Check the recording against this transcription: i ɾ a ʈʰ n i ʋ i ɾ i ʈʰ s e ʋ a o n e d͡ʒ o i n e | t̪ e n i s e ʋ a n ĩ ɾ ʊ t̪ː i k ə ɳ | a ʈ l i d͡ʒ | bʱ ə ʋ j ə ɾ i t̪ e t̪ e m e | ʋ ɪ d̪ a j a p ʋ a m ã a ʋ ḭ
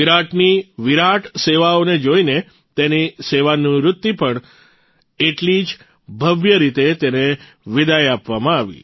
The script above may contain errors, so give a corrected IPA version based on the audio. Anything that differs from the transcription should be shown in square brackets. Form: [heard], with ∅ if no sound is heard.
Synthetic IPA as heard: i ɾ a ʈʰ n i ʋ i ɾ [a] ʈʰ s e ʋ a o n e d͡ʒ o i n e | t̪ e n i s e ʋ a n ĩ ɾ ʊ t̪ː i [p] ə ɳ | [e] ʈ l i d͡ʒ | bʱ ə ʋ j ə ɾ i t̪ e t̪ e [n] e | ʋ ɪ d̪ a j a p ʋ a m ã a ʋ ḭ